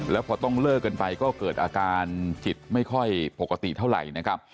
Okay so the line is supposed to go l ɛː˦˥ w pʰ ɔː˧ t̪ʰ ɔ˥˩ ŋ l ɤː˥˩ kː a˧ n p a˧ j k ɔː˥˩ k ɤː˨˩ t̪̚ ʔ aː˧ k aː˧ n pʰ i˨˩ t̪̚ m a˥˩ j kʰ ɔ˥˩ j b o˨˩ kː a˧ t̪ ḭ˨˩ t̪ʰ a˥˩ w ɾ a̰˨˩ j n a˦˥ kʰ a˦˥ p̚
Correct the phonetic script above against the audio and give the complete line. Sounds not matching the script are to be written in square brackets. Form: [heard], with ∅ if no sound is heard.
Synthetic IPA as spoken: l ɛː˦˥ w pʰ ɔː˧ [t̪] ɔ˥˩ ŋ l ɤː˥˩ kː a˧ n p a˧ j k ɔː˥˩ k ɤː˨˩ t̪̚ ʔ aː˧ k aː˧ n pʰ i˨˩ t̪̚ m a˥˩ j kʰ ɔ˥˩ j [p] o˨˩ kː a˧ t̪ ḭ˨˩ t̪ʰ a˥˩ w ɾ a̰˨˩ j n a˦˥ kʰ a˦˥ p̚